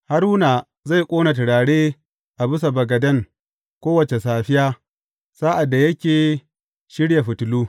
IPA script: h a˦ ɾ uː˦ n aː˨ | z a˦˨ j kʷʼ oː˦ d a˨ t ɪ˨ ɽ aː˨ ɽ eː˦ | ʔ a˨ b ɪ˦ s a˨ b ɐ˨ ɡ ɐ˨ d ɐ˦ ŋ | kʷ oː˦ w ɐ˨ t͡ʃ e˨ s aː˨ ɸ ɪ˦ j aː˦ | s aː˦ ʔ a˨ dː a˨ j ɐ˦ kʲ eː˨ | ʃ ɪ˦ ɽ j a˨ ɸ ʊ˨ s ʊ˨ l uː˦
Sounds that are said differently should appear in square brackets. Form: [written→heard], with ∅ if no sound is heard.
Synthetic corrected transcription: h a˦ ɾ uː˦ n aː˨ | z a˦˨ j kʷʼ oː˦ [d→n] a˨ t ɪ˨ ɽ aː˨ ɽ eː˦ | ʔ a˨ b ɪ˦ s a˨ b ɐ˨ ɡ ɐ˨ d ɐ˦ ŋ | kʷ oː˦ w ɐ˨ t͡ʃ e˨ s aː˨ ɸ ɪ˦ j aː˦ | s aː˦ ʔ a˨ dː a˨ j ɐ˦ kʲ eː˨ | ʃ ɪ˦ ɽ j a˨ ɸ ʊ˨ [s→t] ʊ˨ l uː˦